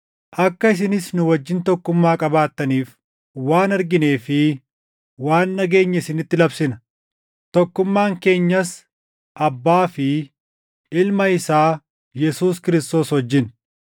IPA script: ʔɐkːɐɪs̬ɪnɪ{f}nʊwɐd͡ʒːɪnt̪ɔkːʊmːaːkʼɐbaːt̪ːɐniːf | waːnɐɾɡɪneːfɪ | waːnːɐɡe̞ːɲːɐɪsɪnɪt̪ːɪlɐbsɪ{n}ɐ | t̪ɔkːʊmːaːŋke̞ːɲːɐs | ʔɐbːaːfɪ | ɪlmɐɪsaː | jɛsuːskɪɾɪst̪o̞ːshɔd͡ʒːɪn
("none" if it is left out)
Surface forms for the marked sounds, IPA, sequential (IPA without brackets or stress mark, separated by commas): s, n